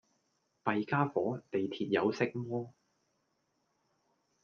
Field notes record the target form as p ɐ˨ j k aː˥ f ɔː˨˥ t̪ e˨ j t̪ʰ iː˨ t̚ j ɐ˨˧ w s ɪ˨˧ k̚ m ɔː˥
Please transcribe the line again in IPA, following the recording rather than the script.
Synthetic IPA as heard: p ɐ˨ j k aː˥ f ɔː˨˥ t̪ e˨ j t̪ʰ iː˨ t̚ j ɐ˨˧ w s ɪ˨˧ k̚ m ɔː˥